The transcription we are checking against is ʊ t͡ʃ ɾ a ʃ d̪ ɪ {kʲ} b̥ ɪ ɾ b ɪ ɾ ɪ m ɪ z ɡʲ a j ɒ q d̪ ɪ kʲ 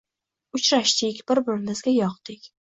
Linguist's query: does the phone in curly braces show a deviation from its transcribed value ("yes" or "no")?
no